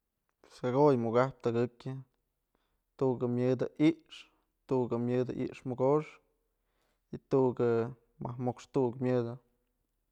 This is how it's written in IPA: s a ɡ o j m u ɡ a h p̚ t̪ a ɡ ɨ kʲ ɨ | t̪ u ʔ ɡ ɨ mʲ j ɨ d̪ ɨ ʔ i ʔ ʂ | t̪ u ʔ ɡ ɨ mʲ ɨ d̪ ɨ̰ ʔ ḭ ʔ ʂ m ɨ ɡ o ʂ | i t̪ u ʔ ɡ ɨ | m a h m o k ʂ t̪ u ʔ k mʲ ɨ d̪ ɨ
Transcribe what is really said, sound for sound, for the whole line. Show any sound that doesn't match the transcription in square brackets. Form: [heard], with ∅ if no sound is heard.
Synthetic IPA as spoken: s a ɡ o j m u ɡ a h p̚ t̪ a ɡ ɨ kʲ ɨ | t̪ u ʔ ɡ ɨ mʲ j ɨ d̪ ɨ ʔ i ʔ ʂ | t̪ u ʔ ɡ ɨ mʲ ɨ d̪ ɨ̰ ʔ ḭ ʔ ʂ m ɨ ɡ o ʂ | i t̪ u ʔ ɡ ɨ | m a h m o k ʂ t̪ u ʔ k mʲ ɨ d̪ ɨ